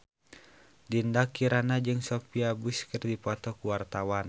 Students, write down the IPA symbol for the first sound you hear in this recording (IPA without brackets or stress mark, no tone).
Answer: d